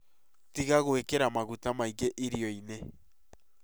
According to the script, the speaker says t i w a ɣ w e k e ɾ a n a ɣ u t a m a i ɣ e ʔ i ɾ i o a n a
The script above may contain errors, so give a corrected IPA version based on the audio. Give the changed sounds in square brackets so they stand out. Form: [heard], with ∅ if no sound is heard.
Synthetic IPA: t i [ɣ] a ɣ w e k e ɾ a [m] a ɣ u t a m a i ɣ e ʔ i ɾ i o [i] n [e]